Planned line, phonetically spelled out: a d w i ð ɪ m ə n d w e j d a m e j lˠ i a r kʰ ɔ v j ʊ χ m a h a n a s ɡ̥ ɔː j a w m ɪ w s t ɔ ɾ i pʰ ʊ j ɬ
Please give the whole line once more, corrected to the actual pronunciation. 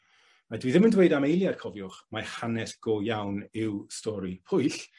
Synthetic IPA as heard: a d w i ð ɪ m ə n d w e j d a m e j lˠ j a r kʰ ɔ v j ʊ χ m a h a n ɛ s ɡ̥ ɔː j a w n ɪ w s t ɔ ɾ i pʰ ʊ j ɬ